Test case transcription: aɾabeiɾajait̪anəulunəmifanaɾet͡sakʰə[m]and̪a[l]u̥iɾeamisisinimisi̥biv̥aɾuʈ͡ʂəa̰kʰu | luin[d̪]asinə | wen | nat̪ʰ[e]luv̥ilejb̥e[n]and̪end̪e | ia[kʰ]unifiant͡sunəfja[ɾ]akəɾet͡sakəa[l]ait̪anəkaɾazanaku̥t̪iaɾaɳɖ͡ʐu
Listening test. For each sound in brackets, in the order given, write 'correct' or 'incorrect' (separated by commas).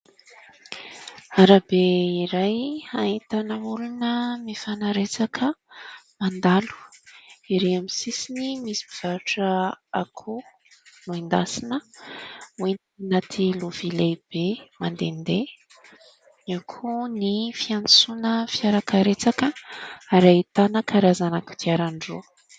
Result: correct, correct, correct, incorrect, incorrect, correct, correct, incorrect